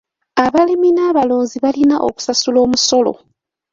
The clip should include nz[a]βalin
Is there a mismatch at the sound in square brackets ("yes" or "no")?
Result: yes